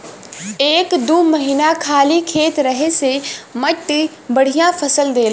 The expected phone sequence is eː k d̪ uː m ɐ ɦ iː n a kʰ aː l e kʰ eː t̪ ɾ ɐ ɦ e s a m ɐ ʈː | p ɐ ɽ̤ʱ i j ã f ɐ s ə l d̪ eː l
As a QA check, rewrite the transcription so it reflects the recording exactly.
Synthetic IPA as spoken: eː k d̪ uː m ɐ ɦ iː n a kʰ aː l i kʰ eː t̪ ɾ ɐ ɦ e s e m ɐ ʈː | b ɐ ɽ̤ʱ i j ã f ɐ s ə l d̪ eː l